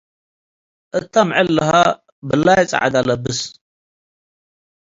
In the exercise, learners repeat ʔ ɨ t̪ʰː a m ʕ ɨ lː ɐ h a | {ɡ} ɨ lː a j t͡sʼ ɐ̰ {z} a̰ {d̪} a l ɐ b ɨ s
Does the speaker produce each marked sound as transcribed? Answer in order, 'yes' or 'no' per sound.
no, no, yes

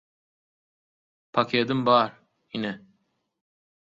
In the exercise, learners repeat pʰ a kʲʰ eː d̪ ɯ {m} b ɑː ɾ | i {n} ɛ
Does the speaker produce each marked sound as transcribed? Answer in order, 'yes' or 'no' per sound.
yes, yes

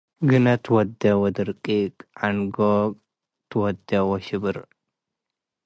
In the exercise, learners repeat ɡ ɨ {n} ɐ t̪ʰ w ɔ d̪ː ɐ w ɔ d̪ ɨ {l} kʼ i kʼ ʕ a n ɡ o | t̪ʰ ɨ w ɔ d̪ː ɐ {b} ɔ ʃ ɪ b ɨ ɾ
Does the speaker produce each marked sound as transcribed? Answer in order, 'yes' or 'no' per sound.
yes, no, no

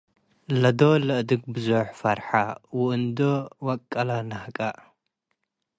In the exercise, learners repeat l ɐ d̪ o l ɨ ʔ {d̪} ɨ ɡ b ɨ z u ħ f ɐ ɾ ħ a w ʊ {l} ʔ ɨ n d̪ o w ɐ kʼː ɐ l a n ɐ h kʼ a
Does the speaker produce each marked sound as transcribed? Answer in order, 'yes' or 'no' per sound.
yes, no

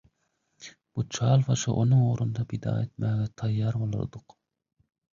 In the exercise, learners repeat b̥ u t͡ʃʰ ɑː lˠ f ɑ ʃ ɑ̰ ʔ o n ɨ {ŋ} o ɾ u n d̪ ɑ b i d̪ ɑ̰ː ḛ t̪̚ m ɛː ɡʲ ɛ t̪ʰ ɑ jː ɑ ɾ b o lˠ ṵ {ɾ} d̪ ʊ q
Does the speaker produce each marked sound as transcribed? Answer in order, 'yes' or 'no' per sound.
yes, yes

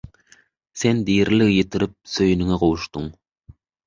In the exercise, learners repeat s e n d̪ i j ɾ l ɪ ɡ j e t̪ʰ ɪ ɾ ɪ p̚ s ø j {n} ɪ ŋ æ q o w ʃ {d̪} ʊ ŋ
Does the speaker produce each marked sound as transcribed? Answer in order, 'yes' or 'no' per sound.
yes, no

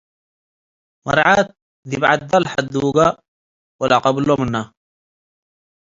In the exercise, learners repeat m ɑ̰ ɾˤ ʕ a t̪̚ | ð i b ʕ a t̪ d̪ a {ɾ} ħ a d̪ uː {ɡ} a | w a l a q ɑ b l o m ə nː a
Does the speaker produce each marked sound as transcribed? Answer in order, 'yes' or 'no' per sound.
no, yes

